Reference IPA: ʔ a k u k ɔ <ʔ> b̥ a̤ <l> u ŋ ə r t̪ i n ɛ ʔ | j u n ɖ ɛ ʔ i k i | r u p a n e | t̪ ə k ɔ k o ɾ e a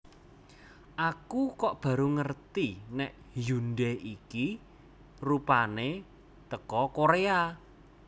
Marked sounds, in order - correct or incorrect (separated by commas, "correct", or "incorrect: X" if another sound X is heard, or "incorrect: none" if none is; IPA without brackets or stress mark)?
correct, incorrect: ɾ